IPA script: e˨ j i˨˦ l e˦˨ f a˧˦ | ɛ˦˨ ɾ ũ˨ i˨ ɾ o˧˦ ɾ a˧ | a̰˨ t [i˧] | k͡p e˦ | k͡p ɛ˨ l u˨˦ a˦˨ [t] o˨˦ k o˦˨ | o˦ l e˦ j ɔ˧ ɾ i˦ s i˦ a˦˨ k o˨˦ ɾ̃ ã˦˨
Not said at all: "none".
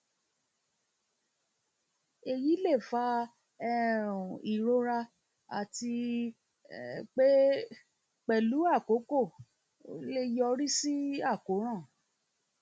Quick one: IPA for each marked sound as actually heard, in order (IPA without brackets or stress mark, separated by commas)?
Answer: i˧, k